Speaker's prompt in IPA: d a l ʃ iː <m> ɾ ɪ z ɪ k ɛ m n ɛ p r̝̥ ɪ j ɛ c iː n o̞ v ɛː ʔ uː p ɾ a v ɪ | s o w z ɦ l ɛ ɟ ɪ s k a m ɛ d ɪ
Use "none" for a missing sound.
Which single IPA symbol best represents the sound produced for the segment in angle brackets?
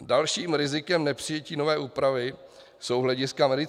m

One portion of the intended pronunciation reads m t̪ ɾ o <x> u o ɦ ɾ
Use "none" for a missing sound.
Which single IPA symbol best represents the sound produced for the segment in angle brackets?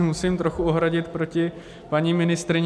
x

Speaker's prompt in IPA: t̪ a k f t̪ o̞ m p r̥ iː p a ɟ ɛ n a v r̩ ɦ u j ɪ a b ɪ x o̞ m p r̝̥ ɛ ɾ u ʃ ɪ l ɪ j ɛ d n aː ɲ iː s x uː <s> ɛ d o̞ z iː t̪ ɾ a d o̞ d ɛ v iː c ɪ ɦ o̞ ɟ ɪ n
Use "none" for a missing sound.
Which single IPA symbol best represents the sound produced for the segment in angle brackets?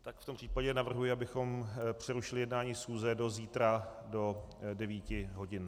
z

